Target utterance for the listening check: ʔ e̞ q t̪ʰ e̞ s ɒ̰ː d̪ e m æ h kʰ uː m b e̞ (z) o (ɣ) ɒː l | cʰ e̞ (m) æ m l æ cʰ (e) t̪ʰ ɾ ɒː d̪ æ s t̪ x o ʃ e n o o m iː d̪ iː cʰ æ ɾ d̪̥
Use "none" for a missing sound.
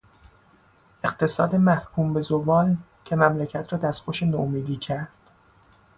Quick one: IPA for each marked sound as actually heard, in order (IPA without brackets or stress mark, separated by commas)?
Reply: z, v, m, æ